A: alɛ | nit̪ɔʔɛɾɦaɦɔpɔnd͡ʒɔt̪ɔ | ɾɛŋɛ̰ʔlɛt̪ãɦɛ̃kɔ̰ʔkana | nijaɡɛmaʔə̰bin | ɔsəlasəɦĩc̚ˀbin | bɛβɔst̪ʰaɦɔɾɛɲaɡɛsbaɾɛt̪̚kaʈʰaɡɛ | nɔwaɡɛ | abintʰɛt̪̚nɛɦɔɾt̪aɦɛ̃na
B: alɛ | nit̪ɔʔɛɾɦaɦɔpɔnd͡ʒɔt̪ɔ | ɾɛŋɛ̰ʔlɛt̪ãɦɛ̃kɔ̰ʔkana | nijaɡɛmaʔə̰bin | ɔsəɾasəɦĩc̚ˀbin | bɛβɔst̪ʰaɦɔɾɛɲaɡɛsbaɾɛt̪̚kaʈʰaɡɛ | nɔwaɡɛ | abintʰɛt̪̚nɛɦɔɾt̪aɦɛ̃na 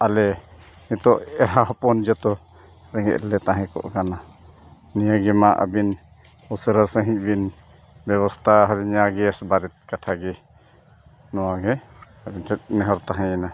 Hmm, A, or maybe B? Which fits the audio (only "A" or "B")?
B